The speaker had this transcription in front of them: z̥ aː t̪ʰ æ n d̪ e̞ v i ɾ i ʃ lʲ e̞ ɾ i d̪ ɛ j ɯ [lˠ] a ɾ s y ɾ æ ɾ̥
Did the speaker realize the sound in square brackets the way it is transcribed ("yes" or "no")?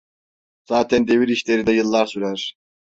no